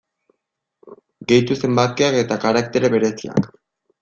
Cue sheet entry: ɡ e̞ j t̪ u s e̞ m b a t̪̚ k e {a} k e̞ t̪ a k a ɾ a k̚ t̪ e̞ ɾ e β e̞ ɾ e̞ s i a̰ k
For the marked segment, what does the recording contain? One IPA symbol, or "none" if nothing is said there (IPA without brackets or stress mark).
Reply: a